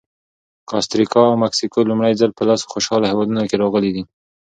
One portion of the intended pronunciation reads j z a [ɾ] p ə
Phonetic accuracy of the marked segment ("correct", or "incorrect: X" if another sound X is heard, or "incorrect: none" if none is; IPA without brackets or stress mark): incorrect: l